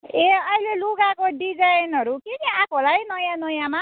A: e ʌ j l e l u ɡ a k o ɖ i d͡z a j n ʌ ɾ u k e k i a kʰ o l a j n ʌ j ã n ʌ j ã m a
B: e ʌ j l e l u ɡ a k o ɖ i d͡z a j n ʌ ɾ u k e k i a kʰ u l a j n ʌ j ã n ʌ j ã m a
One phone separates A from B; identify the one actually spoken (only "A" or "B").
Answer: A